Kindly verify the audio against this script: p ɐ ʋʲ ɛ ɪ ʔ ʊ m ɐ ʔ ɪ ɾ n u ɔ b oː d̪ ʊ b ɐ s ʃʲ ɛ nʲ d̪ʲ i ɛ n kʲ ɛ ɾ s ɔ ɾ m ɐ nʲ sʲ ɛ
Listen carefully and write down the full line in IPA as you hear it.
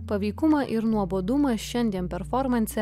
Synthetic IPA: p ɐ ʋʲ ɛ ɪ k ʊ m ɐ ʔ ɪ ɾ n u ɔ b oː d̪ ʊ m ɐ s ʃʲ ɛ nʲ d̪ʲ i ɛ n pʲ ɛ ɾ f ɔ ɾ m ɐ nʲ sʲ ɛ